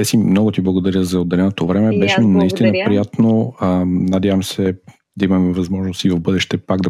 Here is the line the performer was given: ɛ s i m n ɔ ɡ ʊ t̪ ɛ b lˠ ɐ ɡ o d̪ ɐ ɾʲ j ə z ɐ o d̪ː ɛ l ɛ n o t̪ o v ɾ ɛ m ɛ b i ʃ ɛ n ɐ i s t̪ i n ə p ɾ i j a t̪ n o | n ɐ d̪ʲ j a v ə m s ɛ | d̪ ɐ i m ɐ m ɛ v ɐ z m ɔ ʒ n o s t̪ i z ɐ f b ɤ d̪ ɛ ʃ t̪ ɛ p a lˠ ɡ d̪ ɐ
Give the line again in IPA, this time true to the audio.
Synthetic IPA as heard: ɛ s i m n ɔ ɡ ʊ t̪ i b lˠ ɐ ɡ o d̪ ɐ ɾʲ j ə z ɐ o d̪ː ɛ l ɛ n o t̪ o v ɾ ɛ m ɛ b ɛ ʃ ɛ n ɐ i s t̪ i n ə p ɾ i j a t̪ n o | n ɐ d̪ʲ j a v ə m s ɛ | d̪ ɐ i m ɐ m ɛ v ɐ z m ɔ ʒ n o s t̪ i v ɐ v b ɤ d̪ ɛ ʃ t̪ ɛ p a ɡ d̪ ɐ